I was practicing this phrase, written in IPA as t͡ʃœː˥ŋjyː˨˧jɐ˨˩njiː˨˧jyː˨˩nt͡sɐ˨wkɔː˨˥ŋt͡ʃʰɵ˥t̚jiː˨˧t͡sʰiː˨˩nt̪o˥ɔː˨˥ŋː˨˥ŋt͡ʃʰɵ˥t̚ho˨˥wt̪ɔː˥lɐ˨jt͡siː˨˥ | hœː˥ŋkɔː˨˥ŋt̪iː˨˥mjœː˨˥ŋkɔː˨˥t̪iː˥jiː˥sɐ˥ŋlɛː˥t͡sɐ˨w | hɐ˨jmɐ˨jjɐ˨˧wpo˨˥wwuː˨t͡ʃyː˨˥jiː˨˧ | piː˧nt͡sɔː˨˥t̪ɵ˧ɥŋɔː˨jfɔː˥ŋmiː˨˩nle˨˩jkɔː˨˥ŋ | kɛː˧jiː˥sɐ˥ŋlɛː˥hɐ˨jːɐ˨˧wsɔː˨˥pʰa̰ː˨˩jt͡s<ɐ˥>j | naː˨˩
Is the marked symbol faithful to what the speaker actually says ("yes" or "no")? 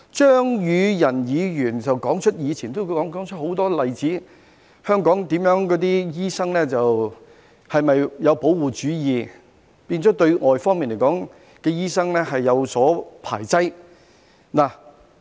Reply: yes